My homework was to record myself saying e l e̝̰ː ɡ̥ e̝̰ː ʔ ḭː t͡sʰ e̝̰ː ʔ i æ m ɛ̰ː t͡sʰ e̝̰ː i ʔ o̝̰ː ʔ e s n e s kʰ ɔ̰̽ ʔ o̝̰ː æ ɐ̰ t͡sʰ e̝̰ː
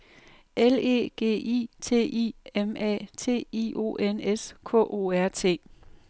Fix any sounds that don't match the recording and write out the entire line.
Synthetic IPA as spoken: e l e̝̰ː ɡ̥ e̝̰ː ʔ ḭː t͡sʰ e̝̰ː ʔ i e m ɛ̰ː t͡sʰ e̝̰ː i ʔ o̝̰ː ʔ e n e s kʰ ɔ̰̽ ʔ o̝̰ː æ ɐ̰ t͡sʰ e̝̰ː